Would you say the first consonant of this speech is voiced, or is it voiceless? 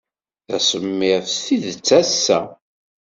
voiceless